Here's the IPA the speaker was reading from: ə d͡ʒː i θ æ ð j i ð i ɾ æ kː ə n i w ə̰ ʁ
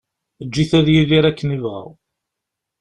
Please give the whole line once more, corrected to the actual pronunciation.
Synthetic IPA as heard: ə d͡ʒː i θ æ ð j i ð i ɾ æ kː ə n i v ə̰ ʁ